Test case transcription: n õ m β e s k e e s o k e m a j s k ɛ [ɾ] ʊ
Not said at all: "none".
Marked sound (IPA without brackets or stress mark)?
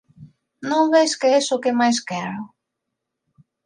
ɾ